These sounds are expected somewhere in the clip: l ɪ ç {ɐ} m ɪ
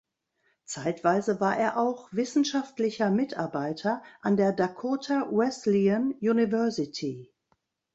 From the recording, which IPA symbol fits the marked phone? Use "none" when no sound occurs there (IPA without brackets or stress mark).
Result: ɐ